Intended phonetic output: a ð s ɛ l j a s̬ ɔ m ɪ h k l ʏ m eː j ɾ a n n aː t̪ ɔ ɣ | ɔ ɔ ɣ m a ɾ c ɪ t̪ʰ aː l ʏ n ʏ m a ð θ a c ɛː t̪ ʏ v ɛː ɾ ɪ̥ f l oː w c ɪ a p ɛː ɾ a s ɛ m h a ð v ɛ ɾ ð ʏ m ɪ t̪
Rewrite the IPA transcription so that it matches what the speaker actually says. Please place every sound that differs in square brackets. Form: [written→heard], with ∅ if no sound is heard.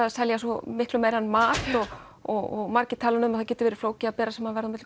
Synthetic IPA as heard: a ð s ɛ l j a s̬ ɔ m ɪ h k l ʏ m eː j ɾ a n [n→m] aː t̪ ɔ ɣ | ɔ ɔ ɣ m a ɾ c ɪ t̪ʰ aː l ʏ n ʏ m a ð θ a c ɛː t̪ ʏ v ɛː ɾ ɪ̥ f l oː w c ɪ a p ɛː ɾ a s ɛ m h a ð v ɛ ɾ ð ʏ m ɪ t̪